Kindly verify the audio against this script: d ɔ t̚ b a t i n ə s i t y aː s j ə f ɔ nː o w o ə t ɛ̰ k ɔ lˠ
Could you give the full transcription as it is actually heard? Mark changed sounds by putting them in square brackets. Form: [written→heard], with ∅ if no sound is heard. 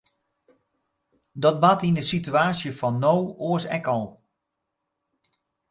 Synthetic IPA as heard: d ɔ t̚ b a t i n ə s i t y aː s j ə f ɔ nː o w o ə [t→s] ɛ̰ k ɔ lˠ